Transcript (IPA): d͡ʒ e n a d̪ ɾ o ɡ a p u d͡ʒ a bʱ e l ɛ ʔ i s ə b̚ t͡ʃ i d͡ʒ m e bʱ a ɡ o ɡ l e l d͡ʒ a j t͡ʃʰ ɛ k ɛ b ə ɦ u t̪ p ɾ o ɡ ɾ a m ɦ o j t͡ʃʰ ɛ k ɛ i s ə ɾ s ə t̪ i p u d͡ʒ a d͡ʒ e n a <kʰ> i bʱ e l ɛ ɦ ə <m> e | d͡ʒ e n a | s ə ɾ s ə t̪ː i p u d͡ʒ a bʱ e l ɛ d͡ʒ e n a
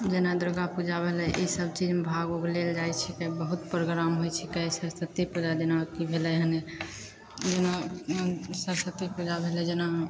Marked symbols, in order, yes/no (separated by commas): no, no